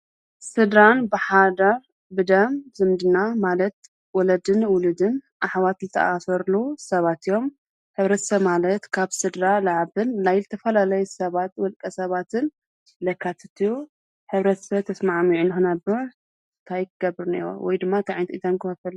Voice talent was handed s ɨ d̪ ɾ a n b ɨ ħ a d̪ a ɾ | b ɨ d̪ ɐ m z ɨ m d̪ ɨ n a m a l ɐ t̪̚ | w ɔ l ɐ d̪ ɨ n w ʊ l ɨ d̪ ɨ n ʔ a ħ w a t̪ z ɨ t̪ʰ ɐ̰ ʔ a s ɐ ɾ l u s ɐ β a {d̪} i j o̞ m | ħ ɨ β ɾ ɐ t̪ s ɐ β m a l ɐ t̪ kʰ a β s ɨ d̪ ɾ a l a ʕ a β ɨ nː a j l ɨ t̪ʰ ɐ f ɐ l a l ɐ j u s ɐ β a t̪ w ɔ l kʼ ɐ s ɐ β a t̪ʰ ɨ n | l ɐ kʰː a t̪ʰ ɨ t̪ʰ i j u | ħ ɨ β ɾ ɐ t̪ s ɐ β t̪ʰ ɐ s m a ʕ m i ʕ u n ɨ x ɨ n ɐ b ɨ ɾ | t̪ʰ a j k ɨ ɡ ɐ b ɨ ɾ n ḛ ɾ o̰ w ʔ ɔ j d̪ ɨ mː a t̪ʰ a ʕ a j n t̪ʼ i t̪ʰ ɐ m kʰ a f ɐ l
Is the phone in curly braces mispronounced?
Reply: yes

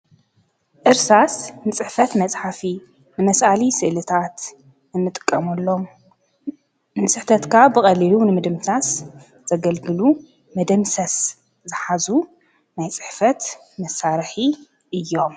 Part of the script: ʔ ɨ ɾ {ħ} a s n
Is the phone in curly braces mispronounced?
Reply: yes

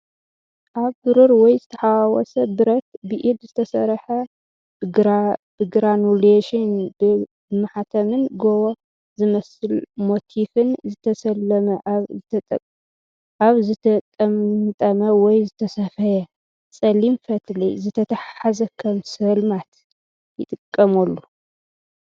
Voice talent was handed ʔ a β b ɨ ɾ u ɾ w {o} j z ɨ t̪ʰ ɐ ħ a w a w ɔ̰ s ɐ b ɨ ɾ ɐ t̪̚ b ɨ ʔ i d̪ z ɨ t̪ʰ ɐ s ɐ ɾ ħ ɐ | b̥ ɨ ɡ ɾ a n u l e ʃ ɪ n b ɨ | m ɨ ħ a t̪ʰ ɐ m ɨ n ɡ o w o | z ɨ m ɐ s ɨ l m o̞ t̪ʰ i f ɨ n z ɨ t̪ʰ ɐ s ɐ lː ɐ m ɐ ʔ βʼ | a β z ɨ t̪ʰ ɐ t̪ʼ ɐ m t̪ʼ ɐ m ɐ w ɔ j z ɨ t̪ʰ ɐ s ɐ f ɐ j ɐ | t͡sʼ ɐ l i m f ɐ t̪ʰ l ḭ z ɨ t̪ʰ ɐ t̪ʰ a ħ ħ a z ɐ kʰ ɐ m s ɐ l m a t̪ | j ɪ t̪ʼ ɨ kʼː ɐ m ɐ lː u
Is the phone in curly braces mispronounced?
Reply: yes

